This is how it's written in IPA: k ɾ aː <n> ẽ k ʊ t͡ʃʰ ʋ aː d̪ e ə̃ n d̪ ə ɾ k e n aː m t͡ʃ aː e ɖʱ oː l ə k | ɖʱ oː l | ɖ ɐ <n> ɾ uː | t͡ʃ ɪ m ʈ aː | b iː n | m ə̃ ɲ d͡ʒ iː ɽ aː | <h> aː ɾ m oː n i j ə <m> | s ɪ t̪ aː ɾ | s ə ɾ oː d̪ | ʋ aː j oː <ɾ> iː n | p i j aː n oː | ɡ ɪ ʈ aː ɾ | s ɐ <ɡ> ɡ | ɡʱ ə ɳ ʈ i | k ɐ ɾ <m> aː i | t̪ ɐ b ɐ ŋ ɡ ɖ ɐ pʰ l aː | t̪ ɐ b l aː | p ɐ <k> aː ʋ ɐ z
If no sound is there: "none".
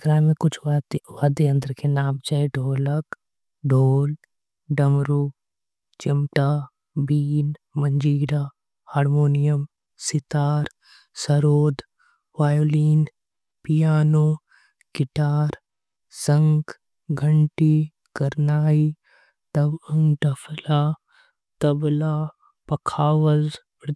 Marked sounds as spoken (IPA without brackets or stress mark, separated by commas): m, m, h, m, l, ŋ, n, kʰ